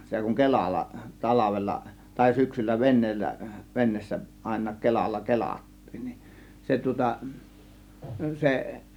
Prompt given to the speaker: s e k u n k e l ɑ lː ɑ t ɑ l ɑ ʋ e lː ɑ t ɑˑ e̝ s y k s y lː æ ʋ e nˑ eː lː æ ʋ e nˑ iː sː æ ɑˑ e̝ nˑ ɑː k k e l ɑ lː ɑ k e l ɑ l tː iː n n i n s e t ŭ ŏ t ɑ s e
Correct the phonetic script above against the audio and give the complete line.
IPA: s e k u ŋ k e l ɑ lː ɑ t ɑ l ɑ ʋ e lː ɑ t ɑˑ e̝ s y k s y lː æ ʋ e nˑ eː lː æ ʋ e nˑ eː sː æ ɑˑ e̝ nˑ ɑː k k e l ɑ lː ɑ k e l ɑ tː iː n n i n s e t ŭ ŏ t ɑ s e